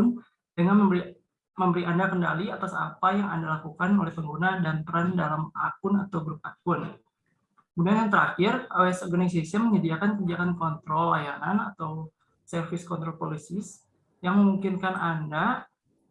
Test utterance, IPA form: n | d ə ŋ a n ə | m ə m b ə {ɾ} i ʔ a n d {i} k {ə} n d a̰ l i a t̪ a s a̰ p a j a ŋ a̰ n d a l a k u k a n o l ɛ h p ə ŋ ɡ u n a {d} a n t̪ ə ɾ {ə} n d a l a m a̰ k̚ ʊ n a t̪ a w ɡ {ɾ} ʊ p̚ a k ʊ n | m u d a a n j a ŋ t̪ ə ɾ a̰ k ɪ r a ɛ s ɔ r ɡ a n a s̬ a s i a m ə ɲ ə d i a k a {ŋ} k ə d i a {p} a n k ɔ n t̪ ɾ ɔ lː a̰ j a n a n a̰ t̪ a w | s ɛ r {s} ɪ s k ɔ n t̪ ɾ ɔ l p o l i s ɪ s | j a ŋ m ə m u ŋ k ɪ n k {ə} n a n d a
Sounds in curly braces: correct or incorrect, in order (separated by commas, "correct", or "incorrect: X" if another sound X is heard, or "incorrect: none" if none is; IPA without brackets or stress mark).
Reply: correct, incorrect: a, correct, correct, incorrect: a, correct, incorrect: n, incorrect: k, incorrect: f, incorrect: a